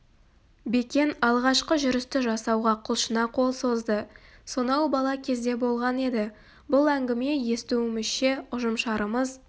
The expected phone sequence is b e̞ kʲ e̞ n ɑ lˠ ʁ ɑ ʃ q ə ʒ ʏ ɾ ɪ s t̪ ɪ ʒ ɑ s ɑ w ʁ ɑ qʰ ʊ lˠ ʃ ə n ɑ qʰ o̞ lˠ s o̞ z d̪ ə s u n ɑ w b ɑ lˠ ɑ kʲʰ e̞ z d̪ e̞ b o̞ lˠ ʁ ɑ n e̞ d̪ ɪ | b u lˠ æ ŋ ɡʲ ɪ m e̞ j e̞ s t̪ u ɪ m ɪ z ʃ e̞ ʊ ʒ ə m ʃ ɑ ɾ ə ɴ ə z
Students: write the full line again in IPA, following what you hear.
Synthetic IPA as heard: b e̞ kʲ e̞ n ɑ lˠ ʁ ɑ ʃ q ə ʒ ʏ ɾ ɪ s t̪ ɪ ʒ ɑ s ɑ w ʁ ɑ qʰ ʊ lˠ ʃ ə n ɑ qʰ o̞ lˠ s o̞ z d̪ ə s o n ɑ w b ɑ lˠ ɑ kʲʰ e̞ z d̪ e̞ b o̞ lˠ ʁ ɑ n e̞ d̪ ɪ | b ʊ lˠ æ ŋ ɡʲ ɪ m e̞ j e̞ s t̪ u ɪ m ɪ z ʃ e̞ ʊ ʒ ə m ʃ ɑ ɾ ə m ə z